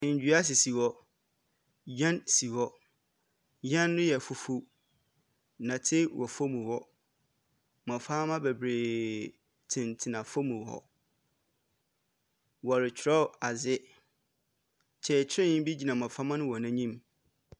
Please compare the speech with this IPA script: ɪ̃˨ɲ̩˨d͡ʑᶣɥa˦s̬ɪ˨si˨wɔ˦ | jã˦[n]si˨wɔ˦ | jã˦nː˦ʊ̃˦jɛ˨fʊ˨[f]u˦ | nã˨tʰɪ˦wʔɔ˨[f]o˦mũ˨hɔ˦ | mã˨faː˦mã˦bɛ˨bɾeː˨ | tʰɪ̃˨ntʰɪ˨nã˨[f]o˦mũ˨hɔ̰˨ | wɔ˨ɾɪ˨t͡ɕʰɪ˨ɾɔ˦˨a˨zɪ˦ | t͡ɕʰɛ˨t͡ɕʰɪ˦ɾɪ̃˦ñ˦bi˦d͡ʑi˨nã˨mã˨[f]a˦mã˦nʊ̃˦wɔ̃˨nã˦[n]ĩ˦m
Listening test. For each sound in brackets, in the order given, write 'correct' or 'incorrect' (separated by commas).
correct, correct, correct, correct, correct, incorrect